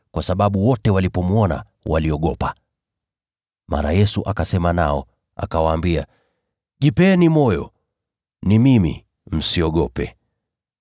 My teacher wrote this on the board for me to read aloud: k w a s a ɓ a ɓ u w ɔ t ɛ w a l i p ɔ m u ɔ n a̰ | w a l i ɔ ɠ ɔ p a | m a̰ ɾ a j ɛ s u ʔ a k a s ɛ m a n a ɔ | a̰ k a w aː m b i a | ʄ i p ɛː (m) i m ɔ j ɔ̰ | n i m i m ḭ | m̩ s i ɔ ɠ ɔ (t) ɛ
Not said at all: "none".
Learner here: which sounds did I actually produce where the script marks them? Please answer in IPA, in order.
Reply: n, p

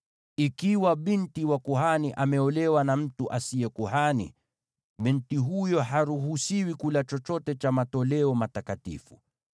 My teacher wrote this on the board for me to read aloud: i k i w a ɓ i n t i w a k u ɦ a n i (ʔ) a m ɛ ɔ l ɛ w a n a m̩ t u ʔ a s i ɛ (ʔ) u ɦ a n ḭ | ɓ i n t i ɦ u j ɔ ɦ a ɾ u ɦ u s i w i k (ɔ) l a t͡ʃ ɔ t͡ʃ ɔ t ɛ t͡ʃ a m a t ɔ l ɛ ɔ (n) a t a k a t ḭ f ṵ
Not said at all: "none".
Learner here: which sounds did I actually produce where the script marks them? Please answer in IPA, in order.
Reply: ʔ, k, u, m

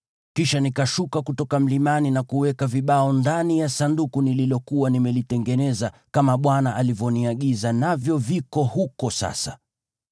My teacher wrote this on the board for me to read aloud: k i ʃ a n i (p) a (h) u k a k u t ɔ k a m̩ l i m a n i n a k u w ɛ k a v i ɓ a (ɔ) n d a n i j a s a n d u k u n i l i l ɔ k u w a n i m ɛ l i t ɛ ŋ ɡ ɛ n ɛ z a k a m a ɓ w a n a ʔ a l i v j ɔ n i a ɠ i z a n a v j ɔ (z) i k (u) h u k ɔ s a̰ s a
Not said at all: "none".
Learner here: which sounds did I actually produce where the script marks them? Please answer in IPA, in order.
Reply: k, ʃ, ɔ, v, ɔ

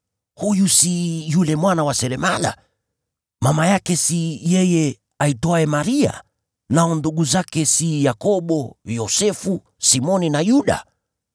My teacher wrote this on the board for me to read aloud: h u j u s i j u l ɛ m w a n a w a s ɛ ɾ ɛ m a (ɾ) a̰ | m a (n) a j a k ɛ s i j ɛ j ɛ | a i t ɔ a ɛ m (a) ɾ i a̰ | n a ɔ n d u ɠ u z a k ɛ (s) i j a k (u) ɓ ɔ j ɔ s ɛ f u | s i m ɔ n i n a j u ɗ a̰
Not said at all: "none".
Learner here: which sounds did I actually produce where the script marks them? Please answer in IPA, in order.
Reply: l, m, a, s, ɔ

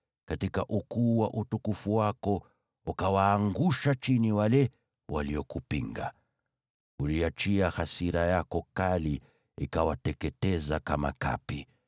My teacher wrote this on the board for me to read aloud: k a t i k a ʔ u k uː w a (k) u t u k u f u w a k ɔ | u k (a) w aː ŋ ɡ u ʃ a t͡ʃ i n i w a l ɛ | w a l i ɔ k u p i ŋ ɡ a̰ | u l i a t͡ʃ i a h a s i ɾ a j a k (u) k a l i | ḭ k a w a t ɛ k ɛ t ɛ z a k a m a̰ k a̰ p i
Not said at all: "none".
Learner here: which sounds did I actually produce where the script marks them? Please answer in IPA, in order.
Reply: ʔ, a, ɔ

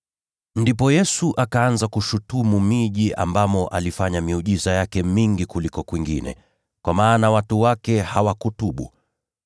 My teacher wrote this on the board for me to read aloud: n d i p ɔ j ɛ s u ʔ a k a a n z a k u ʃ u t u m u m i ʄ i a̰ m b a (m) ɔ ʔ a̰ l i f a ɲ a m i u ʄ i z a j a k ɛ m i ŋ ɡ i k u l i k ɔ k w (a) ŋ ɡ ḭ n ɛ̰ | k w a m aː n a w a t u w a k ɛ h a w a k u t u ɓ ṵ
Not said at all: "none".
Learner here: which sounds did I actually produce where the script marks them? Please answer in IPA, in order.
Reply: m, i

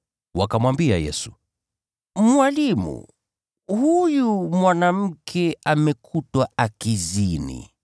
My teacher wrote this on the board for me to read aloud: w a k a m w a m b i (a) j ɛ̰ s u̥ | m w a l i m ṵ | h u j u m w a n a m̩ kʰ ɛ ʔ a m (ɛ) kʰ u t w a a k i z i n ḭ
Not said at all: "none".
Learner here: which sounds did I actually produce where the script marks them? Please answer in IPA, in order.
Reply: a, ɛ

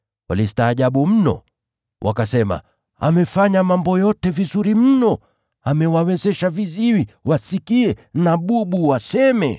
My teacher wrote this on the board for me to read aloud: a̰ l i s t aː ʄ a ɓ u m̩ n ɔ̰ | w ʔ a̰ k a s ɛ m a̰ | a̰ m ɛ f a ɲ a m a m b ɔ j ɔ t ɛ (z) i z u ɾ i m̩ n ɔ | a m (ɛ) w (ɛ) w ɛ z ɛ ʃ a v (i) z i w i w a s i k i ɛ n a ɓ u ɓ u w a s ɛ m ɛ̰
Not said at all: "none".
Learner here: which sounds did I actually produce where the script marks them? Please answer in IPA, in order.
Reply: v, ɛ, a, i

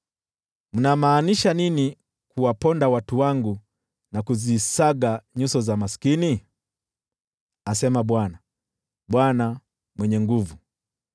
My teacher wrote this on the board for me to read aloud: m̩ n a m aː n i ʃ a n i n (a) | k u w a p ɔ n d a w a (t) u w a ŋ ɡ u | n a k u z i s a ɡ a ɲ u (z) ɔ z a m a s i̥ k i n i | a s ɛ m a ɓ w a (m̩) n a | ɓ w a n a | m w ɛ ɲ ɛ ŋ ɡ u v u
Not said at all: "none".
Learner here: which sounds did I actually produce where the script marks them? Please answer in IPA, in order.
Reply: i, t, s, none

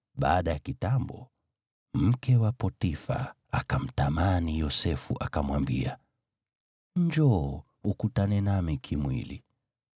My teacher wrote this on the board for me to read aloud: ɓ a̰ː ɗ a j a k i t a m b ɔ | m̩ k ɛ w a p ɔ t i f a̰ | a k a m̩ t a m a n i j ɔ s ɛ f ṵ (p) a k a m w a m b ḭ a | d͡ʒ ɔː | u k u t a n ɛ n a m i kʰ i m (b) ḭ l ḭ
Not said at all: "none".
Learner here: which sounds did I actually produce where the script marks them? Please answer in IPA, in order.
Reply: ʔ, w

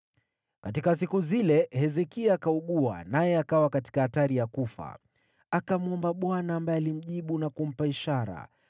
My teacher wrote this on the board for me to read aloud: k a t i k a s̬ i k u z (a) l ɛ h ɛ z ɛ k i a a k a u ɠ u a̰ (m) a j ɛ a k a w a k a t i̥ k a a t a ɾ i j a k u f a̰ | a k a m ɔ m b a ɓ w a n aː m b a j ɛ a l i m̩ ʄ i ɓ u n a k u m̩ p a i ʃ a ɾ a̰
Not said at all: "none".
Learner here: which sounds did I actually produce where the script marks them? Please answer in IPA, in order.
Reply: i, n

